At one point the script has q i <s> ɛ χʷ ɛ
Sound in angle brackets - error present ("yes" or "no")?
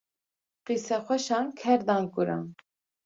no